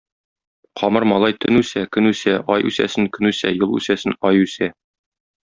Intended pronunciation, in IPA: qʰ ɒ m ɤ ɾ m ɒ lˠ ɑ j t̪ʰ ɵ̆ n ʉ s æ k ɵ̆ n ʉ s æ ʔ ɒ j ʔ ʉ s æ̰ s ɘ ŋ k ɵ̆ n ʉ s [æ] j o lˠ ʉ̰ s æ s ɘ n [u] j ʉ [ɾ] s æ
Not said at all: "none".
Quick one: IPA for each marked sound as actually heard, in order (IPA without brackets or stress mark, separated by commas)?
æ, ɒ, none